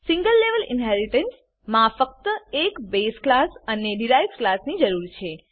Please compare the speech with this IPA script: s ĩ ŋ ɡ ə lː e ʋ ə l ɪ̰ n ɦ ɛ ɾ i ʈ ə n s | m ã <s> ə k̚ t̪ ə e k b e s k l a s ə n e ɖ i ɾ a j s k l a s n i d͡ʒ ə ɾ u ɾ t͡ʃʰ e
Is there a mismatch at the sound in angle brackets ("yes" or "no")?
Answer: yes